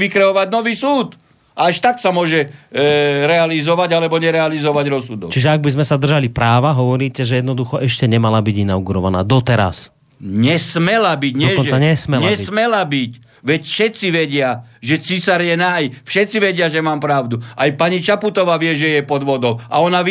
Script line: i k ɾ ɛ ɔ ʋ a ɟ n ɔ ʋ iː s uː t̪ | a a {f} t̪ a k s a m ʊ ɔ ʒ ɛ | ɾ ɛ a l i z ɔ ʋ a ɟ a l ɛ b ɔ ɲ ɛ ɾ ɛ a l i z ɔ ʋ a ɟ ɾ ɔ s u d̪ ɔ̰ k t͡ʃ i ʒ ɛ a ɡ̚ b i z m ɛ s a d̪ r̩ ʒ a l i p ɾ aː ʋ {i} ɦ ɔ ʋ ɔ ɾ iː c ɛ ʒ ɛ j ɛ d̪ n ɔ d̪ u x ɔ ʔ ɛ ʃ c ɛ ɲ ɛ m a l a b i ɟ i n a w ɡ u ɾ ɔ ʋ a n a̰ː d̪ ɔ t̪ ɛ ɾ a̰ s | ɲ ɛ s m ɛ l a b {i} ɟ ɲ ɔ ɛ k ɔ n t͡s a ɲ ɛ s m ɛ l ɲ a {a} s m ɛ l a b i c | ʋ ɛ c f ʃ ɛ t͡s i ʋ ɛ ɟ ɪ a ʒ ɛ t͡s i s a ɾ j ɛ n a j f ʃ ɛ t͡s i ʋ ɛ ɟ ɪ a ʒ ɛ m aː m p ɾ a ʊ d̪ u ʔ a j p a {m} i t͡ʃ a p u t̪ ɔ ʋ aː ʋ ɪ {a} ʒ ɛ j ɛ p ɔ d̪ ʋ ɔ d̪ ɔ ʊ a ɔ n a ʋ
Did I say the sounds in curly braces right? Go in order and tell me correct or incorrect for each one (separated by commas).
incorrect, incorrect, correct, incorrect, incorrect, incorrect